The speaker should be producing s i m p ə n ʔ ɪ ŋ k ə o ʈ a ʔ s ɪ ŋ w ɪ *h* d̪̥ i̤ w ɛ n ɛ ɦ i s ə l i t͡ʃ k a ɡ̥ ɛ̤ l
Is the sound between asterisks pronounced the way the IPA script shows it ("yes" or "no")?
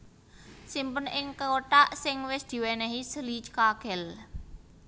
no